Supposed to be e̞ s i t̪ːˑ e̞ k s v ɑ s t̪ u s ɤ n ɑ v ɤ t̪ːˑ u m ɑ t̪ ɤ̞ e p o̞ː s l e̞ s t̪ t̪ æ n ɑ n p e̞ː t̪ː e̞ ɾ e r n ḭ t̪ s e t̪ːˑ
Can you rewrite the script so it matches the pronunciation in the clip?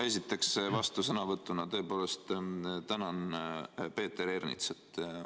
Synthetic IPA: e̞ s i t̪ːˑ e̞ k s v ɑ s t̪ u s ɤ n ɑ v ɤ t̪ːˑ u n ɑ t̪ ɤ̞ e p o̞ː l e̞ s t̪ t̪ æ n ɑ n p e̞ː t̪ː e̞ ɾ e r n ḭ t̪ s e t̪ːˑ